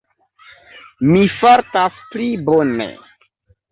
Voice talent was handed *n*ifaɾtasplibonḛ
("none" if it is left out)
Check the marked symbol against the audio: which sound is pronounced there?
m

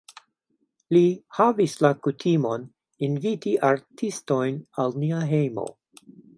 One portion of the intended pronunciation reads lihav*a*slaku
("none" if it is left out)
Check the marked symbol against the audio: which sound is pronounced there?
i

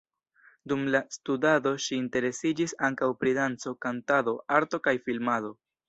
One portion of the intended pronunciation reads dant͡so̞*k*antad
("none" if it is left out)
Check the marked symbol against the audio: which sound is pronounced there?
k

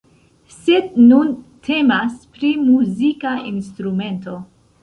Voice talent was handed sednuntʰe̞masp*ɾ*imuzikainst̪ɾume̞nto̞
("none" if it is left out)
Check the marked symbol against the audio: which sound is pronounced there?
ɾ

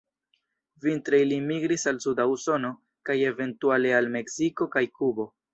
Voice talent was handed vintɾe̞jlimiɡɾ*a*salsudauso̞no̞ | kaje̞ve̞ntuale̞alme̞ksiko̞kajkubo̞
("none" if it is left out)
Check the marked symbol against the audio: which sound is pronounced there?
i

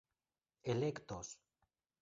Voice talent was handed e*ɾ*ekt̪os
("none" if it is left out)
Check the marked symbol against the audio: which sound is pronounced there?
l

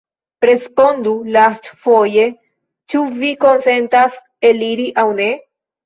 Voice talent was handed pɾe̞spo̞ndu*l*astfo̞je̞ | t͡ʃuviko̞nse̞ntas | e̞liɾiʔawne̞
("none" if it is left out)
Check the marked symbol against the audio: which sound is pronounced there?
l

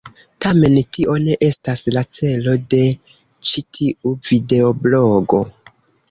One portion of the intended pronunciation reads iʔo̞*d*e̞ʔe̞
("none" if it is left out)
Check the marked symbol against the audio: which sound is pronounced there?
n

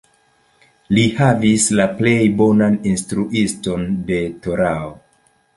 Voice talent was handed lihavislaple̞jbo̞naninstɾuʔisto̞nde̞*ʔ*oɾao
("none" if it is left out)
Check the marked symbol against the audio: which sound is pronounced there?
t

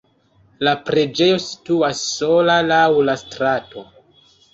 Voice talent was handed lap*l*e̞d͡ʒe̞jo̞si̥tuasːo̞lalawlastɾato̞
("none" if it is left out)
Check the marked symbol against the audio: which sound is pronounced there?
ɾ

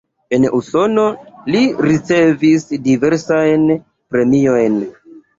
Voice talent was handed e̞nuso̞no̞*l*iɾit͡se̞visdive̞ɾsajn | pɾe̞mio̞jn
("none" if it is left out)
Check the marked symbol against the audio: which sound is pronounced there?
l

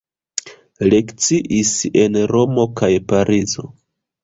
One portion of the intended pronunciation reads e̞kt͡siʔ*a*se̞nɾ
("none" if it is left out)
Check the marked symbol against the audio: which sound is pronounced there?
i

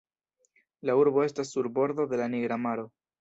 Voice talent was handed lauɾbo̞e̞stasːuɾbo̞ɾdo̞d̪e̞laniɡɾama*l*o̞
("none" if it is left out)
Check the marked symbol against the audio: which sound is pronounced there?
ɾ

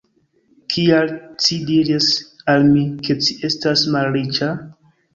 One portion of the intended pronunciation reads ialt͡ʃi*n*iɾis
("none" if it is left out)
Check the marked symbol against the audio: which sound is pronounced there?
d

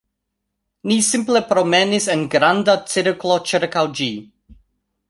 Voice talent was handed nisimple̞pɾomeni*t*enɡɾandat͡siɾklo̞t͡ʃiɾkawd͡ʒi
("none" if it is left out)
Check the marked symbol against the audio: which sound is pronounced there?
s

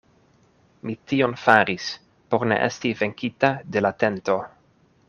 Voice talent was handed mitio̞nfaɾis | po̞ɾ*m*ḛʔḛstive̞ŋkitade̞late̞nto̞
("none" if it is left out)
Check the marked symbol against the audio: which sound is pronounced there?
n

